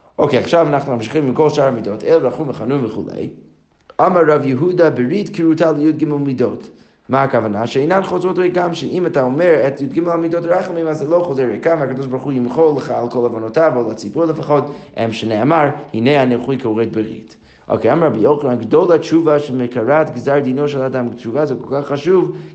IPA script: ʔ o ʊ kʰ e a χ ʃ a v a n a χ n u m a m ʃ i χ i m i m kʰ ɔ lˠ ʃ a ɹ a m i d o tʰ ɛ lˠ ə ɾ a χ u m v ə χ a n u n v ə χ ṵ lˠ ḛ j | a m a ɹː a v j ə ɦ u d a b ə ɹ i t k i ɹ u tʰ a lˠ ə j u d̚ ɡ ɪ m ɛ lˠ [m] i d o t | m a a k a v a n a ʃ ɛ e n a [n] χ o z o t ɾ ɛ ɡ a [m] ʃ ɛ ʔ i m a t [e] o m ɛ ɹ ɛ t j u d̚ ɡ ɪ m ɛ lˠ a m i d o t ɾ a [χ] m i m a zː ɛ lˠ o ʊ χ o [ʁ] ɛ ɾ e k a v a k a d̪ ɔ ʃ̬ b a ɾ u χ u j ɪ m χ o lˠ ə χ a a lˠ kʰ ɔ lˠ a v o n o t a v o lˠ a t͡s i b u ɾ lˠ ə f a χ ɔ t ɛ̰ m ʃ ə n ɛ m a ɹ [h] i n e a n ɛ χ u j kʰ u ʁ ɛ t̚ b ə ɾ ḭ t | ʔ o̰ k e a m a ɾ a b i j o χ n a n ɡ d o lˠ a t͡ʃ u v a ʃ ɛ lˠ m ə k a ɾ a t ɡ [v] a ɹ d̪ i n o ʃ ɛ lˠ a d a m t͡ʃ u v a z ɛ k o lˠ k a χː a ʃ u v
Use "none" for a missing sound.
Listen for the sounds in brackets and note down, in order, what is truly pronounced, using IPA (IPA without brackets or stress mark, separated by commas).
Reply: m, n, m, a, χ, z, h, z